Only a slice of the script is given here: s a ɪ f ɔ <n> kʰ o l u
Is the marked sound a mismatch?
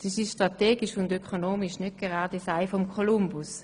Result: yes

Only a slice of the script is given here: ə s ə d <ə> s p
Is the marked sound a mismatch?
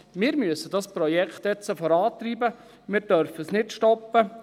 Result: yes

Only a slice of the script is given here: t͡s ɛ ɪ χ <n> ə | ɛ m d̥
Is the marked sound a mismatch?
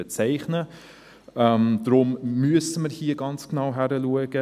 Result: no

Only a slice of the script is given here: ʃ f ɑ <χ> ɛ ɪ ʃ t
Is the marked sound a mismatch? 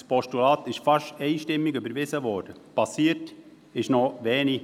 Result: yes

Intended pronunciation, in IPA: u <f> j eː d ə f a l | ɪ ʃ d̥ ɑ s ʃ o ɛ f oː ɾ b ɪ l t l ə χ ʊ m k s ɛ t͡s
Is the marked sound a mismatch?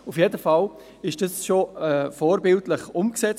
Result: no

